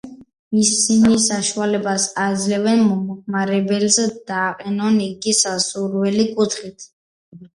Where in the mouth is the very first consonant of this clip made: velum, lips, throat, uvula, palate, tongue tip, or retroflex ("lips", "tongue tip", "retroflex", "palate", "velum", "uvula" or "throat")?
tongue tip